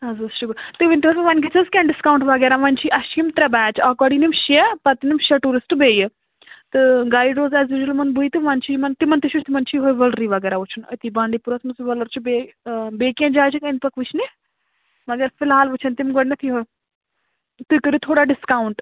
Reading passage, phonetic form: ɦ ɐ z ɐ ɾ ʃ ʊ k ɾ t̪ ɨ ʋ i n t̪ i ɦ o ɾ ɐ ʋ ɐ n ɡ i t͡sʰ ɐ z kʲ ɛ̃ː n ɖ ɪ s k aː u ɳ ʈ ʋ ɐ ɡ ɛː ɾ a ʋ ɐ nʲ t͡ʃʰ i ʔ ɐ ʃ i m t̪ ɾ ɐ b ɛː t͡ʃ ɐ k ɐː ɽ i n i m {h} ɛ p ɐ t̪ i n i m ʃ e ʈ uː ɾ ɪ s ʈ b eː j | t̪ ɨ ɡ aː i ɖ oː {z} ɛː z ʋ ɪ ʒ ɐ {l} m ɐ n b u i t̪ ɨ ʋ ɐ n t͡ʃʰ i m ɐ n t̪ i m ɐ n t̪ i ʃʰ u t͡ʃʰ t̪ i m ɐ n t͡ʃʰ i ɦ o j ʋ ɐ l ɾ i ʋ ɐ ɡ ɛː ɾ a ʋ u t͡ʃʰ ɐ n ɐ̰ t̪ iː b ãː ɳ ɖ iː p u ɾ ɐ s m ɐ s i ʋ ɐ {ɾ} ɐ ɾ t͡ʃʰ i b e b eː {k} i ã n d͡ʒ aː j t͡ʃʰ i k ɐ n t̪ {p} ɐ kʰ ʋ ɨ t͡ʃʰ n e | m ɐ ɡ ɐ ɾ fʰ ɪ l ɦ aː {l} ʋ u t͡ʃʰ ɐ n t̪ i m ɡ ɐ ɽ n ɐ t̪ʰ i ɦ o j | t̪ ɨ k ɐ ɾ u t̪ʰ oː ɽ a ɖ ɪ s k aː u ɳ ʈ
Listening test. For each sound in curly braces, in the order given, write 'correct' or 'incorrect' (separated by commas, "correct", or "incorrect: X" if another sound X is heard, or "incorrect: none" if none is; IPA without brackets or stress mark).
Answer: incorrect: ʃ, correct, correct, incorrect: l, correct, correct, correct